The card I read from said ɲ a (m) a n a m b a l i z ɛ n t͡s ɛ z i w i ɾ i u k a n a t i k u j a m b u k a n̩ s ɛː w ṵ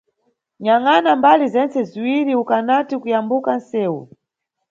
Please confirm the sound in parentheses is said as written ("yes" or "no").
no